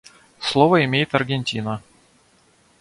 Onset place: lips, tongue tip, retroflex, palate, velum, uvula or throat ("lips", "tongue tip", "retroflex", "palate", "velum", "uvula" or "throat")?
tongue tip